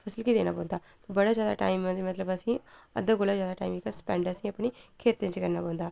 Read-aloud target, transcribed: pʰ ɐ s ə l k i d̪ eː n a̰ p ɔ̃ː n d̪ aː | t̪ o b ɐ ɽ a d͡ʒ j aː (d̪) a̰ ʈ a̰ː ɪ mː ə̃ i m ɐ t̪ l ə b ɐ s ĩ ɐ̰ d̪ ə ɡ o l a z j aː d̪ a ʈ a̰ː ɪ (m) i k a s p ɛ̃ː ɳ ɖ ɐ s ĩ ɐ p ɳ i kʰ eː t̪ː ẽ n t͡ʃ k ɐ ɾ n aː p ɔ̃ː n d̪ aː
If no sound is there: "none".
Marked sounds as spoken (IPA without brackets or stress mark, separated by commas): d̪, m